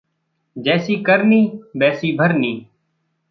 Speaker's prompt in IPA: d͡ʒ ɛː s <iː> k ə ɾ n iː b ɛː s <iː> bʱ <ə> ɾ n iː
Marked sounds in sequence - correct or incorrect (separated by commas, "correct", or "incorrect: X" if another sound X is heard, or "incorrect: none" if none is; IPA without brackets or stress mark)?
correct, correct, correct